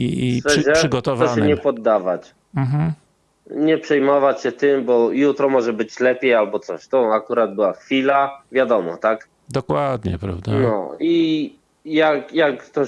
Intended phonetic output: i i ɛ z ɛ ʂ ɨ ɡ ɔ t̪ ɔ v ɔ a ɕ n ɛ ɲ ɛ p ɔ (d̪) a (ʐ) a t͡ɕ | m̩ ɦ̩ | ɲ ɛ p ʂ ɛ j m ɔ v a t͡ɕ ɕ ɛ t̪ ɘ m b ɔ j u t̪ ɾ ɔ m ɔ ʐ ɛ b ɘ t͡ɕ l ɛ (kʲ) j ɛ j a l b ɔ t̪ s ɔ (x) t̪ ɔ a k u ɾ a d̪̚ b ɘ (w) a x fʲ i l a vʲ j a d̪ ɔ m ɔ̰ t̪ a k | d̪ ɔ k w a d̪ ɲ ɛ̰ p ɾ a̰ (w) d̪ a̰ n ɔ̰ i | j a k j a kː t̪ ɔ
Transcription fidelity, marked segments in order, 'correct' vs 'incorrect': incorrect, incorrect, incorrect, incorrect, correct, incorrect

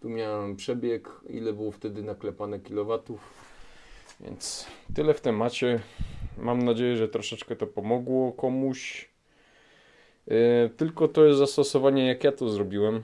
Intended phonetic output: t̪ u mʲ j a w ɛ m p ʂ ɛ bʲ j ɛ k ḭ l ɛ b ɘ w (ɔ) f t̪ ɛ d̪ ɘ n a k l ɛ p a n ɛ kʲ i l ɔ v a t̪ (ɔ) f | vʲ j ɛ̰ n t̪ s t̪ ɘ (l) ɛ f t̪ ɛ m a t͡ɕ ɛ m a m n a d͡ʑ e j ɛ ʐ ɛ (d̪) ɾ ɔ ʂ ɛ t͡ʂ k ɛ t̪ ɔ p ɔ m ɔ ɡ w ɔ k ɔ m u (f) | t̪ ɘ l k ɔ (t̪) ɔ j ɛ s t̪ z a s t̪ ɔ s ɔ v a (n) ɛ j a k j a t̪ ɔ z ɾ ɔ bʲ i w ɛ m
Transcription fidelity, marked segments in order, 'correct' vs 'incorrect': correct, incorrect, correct, incorrect, incorrect, correct, incorrect

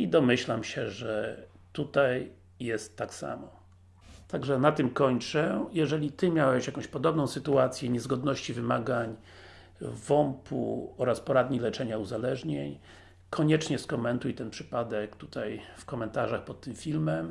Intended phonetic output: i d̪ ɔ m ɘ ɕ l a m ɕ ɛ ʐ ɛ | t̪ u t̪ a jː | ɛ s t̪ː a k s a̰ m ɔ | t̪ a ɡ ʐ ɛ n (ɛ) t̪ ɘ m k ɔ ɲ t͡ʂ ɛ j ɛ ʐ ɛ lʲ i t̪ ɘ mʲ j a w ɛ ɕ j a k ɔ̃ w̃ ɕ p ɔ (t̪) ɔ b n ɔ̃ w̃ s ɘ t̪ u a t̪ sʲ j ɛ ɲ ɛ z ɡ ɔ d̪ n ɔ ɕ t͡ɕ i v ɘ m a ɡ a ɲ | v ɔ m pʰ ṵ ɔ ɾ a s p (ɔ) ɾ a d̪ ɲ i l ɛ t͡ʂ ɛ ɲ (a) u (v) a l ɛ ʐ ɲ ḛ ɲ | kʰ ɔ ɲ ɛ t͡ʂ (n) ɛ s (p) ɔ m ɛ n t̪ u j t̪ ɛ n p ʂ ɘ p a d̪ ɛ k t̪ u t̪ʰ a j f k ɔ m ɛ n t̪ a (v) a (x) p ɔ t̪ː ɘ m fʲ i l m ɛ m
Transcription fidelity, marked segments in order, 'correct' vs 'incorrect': incorrect, incorrect, correct, correct, incorrect, incorrect, incorrect, incorrect, correct

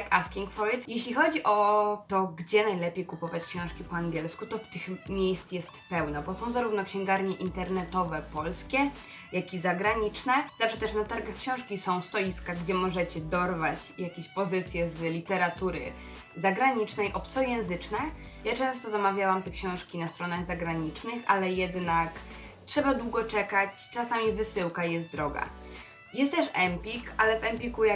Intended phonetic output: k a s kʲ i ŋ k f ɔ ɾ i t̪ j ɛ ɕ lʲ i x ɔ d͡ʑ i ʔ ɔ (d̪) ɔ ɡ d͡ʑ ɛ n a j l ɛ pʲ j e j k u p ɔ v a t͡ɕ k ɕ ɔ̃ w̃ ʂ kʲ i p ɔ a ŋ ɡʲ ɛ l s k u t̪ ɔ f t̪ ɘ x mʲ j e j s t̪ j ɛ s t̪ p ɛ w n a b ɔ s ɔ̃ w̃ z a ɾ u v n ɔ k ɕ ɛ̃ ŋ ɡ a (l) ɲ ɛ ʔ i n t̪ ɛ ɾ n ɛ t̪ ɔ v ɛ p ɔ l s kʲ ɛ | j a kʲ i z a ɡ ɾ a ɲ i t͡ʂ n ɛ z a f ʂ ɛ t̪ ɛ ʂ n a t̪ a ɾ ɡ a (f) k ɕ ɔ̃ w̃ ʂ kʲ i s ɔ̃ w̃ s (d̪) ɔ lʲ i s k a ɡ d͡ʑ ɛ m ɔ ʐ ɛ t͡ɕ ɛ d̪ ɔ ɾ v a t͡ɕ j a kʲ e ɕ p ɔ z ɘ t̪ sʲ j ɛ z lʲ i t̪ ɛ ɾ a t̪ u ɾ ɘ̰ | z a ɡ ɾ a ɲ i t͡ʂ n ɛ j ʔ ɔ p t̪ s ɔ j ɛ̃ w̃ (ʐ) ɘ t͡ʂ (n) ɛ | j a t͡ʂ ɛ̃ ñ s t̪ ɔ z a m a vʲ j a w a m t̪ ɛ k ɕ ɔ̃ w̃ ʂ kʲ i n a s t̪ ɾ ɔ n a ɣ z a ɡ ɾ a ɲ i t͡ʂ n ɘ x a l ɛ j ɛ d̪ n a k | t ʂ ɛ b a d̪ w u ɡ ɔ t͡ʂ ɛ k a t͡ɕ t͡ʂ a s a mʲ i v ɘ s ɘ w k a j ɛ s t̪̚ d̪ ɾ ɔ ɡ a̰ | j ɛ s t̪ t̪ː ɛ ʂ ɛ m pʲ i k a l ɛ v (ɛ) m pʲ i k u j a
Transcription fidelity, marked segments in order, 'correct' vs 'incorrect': incorrect, incorrect, incorrect, incorrect, incorrect, correct, correct

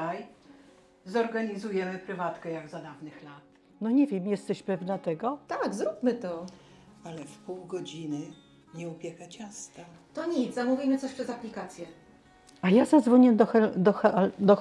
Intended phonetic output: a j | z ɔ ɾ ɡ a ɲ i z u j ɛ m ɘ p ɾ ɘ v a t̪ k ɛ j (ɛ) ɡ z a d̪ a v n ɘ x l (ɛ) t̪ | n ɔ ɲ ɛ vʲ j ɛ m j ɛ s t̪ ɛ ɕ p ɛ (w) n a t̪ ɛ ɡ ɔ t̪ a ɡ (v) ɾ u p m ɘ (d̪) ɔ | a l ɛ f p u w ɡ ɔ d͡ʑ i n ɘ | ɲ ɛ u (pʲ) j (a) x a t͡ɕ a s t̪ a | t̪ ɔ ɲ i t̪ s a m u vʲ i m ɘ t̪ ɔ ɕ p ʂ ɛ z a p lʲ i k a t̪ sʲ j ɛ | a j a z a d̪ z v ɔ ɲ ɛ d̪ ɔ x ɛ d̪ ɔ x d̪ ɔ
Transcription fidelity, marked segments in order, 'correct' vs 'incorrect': incorrect, incorrect, incorrect, incorrect, incorrect, correct, incorrect

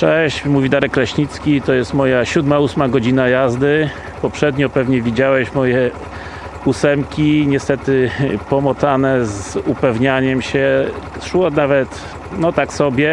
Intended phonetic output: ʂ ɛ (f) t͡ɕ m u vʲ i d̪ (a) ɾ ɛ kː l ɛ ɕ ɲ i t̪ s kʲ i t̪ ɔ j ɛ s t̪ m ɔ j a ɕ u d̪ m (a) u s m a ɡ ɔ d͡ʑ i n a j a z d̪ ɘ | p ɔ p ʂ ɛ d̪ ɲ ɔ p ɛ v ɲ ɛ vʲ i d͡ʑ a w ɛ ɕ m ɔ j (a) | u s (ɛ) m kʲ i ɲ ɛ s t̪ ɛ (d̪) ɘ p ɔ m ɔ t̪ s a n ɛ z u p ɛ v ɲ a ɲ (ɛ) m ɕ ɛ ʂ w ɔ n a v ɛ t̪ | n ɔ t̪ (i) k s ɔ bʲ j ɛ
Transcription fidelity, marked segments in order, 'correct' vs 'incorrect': incorrect, correct, correct, incorrect, correct, incorrect, correct, incorrect

